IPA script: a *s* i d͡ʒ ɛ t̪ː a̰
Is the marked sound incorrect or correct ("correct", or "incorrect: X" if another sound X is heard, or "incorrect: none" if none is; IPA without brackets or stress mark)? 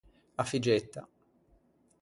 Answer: incorrect: f